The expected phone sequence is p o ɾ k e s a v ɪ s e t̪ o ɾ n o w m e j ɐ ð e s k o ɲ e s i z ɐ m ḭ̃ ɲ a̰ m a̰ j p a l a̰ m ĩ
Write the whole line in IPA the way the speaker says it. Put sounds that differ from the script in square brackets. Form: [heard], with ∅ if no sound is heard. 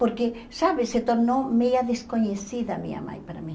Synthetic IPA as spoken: p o ɾ k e s a [β] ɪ s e t̪ o ɾ n o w m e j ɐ ð e s k o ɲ e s i [ð] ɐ m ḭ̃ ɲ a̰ m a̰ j p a [ɾ] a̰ m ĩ